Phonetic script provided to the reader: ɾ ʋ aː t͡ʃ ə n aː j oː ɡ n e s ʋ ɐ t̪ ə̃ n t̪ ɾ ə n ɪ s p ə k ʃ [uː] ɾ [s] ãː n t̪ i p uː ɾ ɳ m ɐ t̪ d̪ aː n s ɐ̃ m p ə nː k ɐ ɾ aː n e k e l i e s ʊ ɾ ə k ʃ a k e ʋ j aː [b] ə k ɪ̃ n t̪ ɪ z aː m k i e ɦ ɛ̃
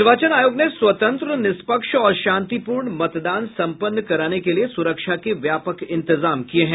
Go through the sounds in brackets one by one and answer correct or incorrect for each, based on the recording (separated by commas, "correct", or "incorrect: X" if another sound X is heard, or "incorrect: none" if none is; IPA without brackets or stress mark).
incorrect: ɔː, incorrect: ʃ, incorrect: p